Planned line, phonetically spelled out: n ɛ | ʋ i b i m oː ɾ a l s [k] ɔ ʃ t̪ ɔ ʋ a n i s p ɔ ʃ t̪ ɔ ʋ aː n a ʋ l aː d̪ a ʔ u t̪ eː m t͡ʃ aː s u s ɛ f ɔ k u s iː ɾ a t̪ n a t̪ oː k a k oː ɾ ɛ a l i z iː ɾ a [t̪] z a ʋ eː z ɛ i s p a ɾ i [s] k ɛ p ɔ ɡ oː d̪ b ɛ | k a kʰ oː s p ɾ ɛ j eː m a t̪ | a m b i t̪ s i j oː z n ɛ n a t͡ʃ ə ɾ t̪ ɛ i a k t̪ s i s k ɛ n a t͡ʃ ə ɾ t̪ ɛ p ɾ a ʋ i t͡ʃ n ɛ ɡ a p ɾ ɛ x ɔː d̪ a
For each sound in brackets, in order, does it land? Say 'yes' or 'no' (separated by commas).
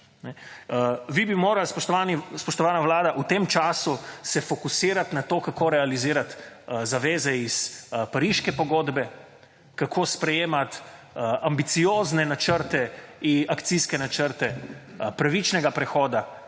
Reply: no, yes, no